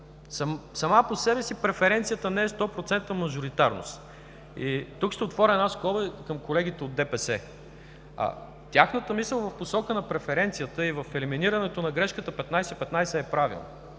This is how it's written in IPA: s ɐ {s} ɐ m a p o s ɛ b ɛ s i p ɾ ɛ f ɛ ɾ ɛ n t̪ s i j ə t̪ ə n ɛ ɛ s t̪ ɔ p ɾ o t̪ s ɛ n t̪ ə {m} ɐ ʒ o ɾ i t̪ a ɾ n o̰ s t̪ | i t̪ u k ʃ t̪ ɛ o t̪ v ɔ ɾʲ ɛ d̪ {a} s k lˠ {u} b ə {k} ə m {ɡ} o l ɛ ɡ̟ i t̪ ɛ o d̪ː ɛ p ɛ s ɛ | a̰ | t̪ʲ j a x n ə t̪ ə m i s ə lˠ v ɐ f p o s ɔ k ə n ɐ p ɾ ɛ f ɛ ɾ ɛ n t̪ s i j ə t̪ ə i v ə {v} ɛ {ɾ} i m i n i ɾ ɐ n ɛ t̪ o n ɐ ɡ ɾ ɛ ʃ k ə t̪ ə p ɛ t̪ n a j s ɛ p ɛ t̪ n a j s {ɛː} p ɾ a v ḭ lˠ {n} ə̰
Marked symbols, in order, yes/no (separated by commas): yes, yes, yes, no, yes, no, no, no, yes, yes